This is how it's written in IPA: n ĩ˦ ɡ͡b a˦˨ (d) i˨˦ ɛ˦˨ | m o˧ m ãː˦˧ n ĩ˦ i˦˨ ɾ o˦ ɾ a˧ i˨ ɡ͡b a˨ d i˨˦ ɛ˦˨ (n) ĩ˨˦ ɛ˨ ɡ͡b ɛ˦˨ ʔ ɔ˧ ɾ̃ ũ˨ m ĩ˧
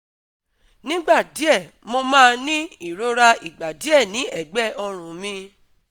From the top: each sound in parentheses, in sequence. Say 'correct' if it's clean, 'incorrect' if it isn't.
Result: correct, correct

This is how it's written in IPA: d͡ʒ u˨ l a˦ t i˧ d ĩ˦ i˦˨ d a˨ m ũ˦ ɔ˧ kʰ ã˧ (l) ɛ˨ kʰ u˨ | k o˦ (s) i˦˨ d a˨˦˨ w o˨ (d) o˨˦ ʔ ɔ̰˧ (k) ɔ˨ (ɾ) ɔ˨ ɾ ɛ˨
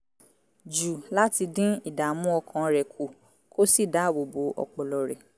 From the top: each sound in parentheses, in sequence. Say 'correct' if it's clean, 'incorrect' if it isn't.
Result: incorrect, correct, incorrect, incorrect, incorrect

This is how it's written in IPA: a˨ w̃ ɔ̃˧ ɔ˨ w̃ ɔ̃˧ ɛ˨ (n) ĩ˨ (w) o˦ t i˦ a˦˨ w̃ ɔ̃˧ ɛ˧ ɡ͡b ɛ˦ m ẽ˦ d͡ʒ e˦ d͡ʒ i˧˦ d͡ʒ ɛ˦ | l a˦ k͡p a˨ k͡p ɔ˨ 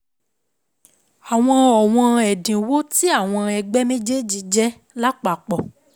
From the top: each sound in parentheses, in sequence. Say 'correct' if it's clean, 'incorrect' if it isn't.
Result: incorrect, correct

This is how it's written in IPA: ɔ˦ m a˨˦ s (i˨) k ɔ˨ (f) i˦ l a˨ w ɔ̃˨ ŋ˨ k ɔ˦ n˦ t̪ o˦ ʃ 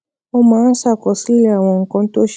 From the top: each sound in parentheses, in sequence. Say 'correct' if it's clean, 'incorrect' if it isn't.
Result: incorrect, incorrect

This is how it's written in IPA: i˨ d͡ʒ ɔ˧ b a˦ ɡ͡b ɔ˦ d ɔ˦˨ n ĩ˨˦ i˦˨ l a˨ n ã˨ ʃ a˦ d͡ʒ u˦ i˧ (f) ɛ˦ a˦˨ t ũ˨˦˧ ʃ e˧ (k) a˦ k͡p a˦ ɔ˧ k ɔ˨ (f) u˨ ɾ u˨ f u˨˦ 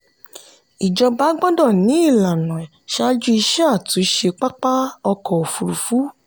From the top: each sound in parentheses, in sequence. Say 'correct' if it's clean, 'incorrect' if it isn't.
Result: incorrect, incorrect, correct

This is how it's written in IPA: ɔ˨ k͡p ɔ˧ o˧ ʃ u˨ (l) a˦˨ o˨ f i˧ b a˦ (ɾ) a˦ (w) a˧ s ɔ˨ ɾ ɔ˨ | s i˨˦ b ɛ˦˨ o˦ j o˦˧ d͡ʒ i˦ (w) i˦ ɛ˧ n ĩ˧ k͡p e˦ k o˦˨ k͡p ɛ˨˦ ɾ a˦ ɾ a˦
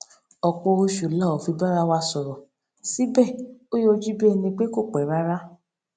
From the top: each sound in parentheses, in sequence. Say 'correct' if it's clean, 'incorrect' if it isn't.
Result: correct, correct, correct, incorrect

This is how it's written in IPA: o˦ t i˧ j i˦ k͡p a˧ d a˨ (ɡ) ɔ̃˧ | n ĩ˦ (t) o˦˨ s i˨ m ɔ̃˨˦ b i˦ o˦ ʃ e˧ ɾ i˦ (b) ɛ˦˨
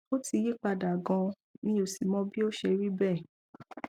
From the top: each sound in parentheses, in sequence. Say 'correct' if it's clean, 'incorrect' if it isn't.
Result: correct, incorrect, correct

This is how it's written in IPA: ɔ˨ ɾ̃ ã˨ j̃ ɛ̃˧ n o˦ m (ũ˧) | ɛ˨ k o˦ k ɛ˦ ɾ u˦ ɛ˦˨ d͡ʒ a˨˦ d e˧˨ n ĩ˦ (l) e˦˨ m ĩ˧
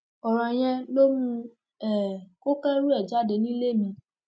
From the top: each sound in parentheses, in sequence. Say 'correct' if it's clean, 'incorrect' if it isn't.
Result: correct, correct

